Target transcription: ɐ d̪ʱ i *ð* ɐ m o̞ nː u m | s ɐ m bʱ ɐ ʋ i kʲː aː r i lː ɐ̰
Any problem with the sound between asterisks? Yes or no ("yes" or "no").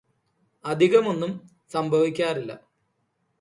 yes